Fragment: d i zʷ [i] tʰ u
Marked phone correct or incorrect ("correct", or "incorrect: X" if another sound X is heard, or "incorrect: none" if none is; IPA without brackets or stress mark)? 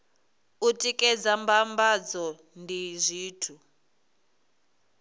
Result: incorrect: iː